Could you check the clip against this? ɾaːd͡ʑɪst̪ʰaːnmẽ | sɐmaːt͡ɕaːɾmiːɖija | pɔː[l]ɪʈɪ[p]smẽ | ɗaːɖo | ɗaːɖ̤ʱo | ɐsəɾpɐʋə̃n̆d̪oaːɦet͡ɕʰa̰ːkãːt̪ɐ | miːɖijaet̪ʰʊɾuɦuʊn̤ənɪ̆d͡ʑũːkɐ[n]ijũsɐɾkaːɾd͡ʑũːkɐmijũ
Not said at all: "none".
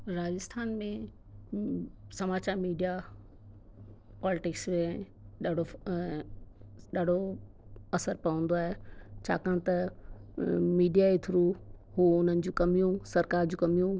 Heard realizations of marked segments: l, k, m

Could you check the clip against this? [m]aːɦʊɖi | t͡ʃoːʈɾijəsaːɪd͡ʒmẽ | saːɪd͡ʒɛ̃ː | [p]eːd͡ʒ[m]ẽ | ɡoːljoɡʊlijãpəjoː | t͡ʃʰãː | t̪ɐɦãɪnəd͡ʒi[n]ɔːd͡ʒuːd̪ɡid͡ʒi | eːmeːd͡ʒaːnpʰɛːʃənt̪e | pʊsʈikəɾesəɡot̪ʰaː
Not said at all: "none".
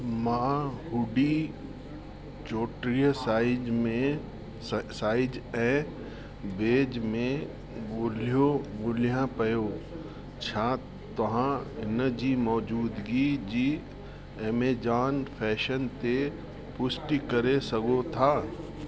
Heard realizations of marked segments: m, b, m, m

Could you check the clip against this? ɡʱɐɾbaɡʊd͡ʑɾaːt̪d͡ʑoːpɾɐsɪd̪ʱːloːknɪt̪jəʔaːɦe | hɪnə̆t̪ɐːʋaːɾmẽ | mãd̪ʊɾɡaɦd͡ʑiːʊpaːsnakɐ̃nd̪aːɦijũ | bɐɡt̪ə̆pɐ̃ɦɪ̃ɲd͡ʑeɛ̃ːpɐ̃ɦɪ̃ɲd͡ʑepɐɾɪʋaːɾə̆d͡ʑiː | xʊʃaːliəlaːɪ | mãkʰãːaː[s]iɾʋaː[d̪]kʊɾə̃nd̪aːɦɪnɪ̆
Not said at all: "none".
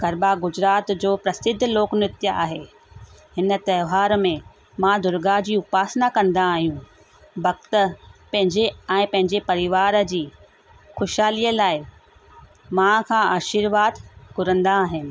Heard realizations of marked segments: ʃ, d̪

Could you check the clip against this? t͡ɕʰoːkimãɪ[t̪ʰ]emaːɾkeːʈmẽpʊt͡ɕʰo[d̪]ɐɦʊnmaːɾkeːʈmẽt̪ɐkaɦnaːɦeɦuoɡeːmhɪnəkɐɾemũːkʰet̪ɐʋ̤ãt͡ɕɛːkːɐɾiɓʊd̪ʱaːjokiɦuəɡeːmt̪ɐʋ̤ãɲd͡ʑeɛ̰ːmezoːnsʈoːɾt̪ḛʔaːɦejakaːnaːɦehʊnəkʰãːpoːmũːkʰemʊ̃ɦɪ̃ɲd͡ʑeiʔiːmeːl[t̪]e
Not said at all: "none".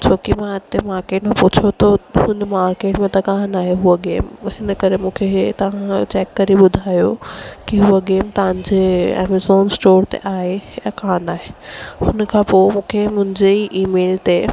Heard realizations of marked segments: t̪, t̪, t̪

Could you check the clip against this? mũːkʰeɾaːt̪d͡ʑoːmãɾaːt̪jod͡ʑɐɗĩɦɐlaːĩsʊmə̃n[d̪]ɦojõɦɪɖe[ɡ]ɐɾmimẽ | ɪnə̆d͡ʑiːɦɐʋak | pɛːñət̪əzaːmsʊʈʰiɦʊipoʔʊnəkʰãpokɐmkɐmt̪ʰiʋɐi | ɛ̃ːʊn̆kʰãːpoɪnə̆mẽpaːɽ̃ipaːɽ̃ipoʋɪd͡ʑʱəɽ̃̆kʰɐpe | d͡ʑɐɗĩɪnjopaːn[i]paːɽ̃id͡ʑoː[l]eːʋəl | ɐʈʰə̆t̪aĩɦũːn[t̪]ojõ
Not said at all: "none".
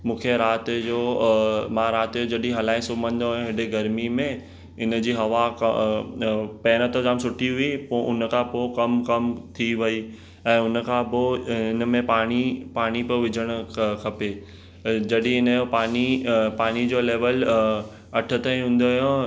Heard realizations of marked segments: d̪, ɡ, i, l, d̪

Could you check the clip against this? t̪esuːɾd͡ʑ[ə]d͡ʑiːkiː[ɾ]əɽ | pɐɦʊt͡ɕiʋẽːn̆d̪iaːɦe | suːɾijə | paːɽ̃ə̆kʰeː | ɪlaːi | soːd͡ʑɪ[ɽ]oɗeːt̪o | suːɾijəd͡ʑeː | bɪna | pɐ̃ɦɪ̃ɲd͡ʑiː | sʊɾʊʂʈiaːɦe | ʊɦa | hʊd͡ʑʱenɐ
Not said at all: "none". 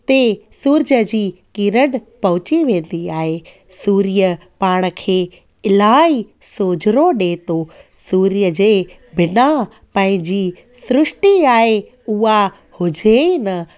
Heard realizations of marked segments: ə, ɾ, ɾ

